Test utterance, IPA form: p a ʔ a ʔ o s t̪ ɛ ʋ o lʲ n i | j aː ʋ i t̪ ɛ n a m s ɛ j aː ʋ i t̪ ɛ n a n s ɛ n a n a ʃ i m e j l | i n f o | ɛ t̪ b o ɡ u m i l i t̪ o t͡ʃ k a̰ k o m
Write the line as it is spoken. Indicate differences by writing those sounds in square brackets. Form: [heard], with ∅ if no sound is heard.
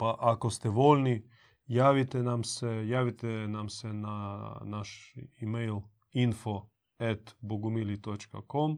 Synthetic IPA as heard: p a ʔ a [k] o s t̪ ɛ ʋ o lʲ n i | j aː ʋ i t̪ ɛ n a m s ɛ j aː ʋ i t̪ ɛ n a [m] s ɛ n a n a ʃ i m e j l | i n f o | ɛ t̪ b o ɡ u m i l i t̪ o t͡ʃ k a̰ k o m